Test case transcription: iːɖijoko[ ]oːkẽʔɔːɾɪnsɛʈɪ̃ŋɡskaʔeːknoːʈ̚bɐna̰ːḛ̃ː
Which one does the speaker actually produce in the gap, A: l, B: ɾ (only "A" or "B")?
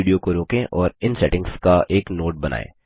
B